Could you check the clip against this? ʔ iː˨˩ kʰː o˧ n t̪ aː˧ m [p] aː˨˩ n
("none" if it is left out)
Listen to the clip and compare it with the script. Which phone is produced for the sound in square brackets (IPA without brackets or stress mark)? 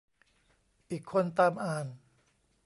ʔ